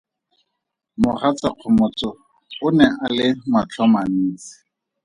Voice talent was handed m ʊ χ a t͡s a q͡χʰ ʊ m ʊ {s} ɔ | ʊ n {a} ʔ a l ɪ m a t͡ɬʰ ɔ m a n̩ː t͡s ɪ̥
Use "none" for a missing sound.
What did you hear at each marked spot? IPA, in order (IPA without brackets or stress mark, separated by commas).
t͡s, ɛ